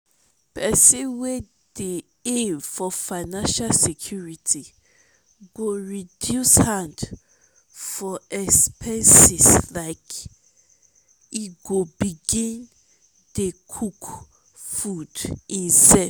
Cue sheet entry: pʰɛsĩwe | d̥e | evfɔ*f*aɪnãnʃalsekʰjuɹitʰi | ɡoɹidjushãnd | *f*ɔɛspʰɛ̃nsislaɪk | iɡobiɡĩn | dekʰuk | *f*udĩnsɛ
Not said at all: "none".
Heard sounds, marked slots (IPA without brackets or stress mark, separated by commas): f, f, f